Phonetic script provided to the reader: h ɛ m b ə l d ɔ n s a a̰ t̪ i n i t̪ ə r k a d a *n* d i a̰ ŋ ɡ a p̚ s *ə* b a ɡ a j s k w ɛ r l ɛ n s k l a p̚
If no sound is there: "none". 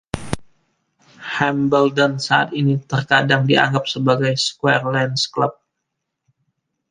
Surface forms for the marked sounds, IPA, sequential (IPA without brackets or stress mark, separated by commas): ŋ, ə